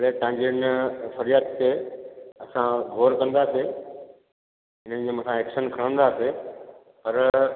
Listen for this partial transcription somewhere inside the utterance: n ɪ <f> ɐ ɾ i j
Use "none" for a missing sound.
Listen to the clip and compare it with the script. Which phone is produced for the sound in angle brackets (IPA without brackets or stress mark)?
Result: f